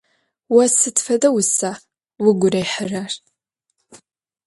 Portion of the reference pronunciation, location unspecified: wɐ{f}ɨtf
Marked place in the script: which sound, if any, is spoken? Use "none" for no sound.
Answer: s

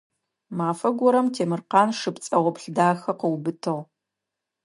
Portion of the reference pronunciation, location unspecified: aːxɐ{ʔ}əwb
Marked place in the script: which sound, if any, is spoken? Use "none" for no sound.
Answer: q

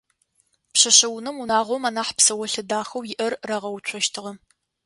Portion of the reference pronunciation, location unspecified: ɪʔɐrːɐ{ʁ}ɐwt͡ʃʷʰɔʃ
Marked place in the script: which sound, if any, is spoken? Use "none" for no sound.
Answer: ʁ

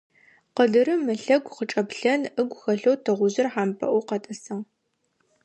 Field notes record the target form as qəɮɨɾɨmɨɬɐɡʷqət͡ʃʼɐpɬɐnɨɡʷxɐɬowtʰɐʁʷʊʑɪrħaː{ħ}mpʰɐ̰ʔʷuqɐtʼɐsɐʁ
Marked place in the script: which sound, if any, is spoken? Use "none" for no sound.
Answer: none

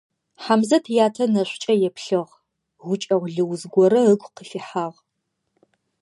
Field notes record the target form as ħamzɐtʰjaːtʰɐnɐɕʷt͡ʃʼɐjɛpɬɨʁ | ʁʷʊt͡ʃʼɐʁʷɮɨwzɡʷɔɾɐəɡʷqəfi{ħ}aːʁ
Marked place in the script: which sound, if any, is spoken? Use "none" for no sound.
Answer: ħ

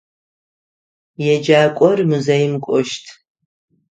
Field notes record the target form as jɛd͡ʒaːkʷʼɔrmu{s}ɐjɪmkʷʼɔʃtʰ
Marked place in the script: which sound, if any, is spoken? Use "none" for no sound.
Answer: z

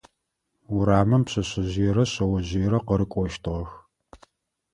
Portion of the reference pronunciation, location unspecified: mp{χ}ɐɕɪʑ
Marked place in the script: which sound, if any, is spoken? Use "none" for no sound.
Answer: ɕ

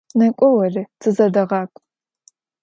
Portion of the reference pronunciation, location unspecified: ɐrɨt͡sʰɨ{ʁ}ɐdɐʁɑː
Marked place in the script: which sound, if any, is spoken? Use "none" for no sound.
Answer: z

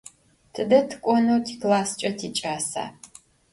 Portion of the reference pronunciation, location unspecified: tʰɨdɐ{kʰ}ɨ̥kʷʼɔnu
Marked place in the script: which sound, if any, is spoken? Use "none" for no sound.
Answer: tʰ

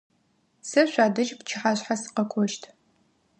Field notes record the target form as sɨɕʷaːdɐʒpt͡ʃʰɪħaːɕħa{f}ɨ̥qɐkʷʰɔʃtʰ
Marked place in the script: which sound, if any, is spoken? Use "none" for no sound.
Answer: s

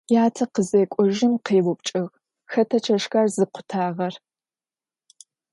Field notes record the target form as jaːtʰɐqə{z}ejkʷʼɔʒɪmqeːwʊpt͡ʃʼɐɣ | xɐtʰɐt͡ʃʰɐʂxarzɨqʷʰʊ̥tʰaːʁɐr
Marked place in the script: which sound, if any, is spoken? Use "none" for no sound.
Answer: z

